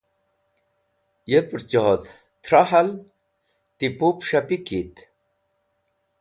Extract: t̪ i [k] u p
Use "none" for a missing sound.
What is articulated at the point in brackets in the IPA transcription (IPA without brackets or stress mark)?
p